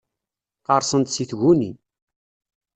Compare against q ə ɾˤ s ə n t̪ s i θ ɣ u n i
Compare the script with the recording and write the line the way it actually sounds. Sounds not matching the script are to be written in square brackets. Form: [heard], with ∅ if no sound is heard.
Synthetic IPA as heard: q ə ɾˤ s ə n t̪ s i θ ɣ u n i

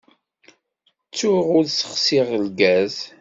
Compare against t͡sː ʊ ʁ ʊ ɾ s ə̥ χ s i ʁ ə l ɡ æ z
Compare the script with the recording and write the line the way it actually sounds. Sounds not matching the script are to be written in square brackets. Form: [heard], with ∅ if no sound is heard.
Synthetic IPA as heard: t͡sː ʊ ʁ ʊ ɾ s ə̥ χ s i ʁ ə l ɡ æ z

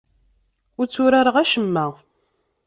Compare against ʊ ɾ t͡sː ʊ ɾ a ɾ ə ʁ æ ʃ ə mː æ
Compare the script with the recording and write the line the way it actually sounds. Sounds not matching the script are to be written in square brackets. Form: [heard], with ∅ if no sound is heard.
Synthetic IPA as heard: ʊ ɾ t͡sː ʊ ɾ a ɾ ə ʁ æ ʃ ə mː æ

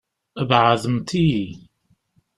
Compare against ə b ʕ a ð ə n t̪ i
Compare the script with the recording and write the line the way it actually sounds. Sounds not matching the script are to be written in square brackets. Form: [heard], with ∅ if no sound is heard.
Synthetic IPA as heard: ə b ʕ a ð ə [m] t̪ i

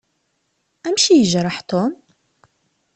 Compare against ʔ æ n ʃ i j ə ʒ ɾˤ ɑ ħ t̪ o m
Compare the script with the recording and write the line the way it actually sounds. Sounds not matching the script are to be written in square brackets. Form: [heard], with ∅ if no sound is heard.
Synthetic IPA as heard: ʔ æ [m] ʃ i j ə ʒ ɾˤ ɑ ħ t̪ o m

